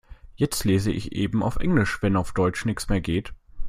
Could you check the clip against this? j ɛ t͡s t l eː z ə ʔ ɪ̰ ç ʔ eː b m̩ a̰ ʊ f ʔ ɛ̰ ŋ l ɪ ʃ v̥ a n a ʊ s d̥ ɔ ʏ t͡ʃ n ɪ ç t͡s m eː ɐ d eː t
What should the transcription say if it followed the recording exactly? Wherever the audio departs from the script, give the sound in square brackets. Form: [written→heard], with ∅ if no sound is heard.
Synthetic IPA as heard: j ɛ t͡s t l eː z ə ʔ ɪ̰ ç ʔ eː b m̩ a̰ ʊ f ʔ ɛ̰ ŋ l ɪ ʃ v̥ [a→ɛ] n a ʊ [s→f] d̥ ɔ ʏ t͡ʃ n ɪ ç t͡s m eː ɐ [d→ɡ] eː t

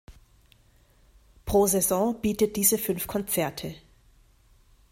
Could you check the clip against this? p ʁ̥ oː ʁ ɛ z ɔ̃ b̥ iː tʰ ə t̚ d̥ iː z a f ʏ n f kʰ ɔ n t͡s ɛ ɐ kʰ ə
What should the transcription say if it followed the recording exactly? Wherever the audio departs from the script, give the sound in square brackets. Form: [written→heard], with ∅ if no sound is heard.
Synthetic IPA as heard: p ʁ̥ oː [ʁ→z] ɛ z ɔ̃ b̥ iː [tʰ→t] ə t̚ d̥ iː z [a→ə] f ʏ n f kʰ ɔ n t͡s ɛ ɐ [kʰ→tʰ] ə

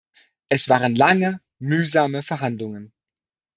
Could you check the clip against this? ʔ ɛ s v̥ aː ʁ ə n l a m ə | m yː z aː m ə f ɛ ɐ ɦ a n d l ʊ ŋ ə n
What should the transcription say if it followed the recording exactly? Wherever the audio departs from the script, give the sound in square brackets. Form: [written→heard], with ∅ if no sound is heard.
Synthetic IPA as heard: ʔ ɛ s v̥ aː ʁ ə n l a [m→ŋ] ə | m yː z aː m ə f ɛ ɐ ɦ a n d l ʊ ŋ ə n

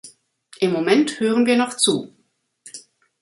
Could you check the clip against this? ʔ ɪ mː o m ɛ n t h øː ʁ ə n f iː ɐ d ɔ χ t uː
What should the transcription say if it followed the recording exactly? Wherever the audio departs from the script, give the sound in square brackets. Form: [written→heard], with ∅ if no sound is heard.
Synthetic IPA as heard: ʔ ɪ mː o m ɛ n t h øː ʁ ə n [f→v] iː ɐ [d→n] ɔ χ [t→t͡s] uː

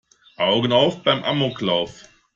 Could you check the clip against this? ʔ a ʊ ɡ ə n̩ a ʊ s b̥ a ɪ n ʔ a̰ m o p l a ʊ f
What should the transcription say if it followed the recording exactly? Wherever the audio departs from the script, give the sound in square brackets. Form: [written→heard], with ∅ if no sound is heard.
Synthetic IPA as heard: ʔ a ʊ ɡ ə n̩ a ʊ [s→f] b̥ a ɪ [n→m] ʔ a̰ m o [p→k] l a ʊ f

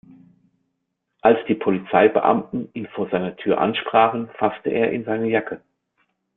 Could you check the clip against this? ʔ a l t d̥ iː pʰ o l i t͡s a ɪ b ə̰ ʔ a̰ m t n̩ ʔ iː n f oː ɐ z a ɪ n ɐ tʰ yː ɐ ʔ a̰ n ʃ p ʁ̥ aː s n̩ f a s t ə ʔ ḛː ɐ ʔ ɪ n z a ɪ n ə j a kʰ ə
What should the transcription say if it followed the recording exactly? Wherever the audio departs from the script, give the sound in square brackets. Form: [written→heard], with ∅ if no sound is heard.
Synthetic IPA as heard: ʔ a l [t→s] d̥ iː pʰ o l i t͡s a ɪ b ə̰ ʔ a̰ m t n̩ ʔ iː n f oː ɐ z a ɪ n ɐ tʰ yː ɐ ʔ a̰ n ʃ p ʁ̥ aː [s→χ] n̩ f a s t ə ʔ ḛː ɐ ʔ ɪ n z a ɪ n ə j a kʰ ə

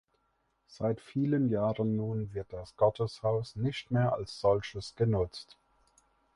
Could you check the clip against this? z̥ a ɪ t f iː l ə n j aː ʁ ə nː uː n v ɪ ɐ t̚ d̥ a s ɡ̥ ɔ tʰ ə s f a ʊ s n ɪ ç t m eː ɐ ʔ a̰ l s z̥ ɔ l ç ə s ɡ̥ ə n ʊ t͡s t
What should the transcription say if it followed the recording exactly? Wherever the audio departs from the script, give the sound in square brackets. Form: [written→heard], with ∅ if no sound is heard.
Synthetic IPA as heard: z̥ a ɪ t f iː l ə n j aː ʁ ə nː uː n v ɪ ɐ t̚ d̥ a s ɡ̥ ɔ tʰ ə s [f→h] a ʊ s n ɪ ç t m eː ɐ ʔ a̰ l s z̥ ɔ l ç ə s ɡ̥ ə n ʊ t͡s t

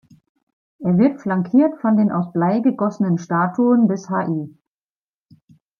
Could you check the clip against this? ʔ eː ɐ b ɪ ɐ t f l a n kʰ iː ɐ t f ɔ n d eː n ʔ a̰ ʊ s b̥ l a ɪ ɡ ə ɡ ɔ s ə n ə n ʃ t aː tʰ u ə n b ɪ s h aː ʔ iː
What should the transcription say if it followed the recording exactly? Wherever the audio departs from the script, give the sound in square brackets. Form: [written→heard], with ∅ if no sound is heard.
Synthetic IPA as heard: ʔ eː ɐ [b→v] ɪ ɐ t f l a [n→ŋ] kʰ iː ɐ t f ɔ n d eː n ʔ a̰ ʊ s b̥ l a ɪ ɡ ə ɡ ɔ s ə n ə n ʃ t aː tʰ u ə n b ɪ s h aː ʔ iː

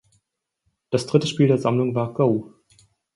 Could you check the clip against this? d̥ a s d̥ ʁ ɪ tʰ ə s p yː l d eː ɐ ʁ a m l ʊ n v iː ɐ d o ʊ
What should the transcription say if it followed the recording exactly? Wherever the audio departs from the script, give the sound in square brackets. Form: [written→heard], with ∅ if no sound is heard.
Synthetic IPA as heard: d̥ a s d̥ ʁ ɪ [tʰ→t] ə [s→ʃ] p [yː→iː] l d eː ɐ [ʁ→z] a m l ʊ [n→ŋ] v [iː→aː] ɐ [d→ɡ] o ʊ

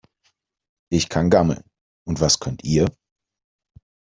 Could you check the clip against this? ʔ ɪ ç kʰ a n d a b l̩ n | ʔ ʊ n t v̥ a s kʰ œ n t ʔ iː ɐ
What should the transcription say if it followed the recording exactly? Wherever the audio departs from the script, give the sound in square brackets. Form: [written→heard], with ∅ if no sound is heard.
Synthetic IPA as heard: ʔ ɪ ç kʰ a n [d→ɡ] a [b→m] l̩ n | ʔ ʊ n t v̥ a s kʰ œ n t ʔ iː ɐ

